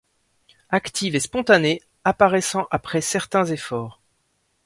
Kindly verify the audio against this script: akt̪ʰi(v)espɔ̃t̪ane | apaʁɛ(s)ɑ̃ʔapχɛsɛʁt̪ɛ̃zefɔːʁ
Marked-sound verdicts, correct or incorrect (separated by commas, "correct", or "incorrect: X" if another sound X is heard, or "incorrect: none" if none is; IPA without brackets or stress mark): correct, correct